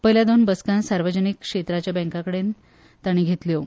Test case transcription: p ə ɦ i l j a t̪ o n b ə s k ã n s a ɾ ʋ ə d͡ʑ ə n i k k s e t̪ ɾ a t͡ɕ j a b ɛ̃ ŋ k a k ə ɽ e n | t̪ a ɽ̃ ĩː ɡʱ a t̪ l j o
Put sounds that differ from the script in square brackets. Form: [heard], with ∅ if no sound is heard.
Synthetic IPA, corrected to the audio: p ə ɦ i l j a [d̪] o n b ə s k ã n s a ɾ ʋ ə d͡ʑ ə n i k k [ʂ] e t̪ ɾ a t͡ɕ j a b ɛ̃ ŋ k a k ə ɽ e n | t̪ a ɽ̃ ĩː ɡʱ [e] t̪ l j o